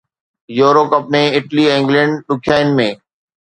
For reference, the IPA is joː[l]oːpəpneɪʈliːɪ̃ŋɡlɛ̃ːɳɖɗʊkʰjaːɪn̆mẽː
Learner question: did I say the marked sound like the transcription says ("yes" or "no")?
no